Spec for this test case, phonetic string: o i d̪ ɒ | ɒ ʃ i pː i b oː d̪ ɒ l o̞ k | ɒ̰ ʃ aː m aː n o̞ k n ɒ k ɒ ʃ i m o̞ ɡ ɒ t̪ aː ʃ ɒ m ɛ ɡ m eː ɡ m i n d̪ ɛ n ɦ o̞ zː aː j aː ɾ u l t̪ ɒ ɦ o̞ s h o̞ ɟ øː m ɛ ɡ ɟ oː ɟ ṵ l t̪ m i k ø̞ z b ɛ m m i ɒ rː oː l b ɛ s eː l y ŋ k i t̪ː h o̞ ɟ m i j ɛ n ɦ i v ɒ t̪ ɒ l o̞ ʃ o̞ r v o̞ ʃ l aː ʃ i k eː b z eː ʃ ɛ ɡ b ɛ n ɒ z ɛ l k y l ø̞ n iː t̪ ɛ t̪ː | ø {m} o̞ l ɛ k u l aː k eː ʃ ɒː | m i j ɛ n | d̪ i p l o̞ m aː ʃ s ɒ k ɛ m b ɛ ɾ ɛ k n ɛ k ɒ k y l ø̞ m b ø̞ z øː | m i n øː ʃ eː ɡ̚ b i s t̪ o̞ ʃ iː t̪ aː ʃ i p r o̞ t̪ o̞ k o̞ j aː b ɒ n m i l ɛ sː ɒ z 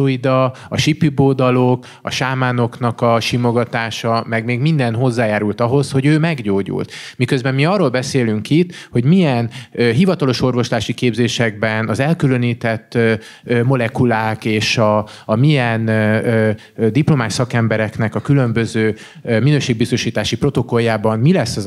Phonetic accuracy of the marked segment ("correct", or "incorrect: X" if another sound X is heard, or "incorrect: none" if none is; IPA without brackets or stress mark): correct